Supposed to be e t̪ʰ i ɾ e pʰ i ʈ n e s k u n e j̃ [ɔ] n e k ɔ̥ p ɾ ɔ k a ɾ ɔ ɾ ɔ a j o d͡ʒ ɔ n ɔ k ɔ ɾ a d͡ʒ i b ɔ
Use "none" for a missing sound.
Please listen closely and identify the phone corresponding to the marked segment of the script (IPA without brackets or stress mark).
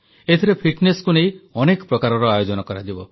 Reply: ɔ